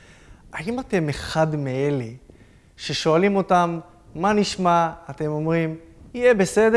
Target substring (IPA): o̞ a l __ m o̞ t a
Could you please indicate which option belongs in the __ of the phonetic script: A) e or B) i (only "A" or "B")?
B